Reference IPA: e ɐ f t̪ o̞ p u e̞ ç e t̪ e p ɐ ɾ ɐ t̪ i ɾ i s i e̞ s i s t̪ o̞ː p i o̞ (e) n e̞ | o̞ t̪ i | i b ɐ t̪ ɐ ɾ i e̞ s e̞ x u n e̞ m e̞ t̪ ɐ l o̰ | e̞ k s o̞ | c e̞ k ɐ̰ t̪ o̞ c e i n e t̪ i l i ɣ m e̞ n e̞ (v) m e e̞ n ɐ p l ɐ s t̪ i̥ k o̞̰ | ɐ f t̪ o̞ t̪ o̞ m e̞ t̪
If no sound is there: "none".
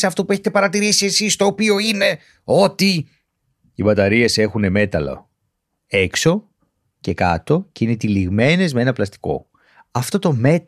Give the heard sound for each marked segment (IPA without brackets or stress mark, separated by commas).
i, z